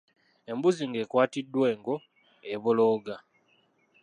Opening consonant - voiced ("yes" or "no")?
yes